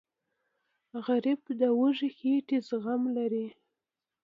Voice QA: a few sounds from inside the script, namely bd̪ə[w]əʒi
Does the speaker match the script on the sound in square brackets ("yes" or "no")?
yes